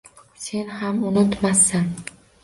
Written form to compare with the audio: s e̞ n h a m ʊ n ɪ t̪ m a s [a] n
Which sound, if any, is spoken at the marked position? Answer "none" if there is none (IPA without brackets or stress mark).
a